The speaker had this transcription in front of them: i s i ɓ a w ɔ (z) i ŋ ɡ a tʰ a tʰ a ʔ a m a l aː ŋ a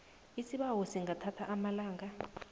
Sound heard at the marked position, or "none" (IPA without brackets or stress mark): s